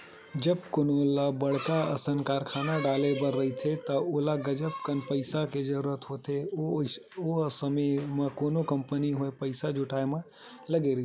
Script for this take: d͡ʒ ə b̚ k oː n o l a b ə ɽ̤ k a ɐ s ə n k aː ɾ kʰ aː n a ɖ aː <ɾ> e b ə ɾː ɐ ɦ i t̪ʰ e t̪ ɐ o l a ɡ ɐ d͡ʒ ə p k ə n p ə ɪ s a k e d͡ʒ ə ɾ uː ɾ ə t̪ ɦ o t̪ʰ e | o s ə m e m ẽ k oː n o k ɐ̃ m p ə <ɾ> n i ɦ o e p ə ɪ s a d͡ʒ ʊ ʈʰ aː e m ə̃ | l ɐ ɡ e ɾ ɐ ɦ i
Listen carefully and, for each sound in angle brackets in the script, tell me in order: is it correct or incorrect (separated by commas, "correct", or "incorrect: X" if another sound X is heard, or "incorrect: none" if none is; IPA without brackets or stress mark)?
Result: incorrect: l, incorrect: none